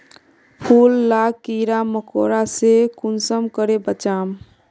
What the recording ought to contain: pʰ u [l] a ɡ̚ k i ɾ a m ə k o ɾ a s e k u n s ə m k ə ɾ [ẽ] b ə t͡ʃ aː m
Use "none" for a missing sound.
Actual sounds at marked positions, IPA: lː, e

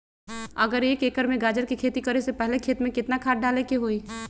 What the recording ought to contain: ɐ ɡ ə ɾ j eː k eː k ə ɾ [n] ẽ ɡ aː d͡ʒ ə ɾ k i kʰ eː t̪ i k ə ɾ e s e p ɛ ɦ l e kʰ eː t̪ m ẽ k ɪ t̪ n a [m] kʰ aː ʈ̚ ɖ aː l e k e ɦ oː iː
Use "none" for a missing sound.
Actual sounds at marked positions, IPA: m, none

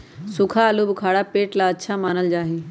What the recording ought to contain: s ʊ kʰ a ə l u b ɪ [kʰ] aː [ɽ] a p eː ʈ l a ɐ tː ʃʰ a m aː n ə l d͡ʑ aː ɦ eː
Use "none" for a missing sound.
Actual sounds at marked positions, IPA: kʰ, ɽ

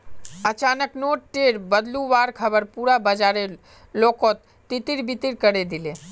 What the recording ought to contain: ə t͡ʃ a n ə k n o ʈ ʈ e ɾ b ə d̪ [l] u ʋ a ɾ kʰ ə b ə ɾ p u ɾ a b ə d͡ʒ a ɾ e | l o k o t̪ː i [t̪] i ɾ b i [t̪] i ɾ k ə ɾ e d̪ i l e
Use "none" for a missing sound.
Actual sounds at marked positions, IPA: l, t̪, t̪

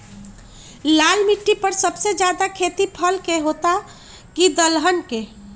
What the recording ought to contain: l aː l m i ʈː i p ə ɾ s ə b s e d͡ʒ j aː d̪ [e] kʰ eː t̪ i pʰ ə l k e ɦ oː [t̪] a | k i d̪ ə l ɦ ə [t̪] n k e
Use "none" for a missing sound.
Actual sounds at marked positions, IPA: a, t̪, none

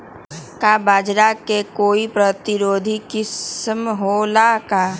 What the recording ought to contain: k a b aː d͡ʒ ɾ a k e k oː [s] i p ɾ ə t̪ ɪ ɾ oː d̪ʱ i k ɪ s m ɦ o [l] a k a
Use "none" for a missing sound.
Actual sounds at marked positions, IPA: none, l

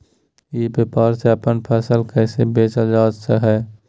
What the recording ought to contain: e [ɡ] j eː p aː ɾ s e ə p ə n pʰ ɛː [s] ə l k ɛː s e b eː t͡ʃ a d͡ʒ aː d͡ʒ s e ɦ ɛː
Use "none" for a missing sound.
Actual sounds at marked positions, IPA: b, s

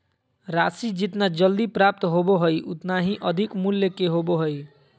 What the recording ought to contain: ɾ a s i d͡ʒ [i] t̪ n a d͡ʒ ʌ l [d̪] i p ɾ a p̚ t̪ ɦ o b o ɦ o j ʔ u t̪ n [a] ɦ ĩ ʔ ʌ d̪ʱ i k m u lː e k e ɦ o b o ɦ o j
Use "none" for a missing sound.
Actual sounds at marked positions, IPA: i, d̪, a

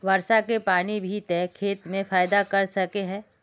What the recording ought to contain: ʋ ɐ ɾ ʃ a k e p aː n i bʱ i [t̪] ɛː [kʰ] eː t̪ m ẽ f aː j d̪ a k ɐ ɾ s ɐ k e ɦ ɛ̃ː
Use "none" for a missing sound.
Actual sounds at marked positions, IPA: t̪, kʰ

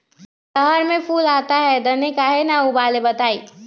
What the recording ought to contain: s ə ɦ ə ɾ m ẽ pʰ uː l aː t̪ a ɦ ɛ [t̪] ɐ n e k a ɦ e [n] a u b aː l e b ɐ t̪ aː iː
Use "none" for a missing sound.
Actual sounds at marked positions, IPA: d̪, n

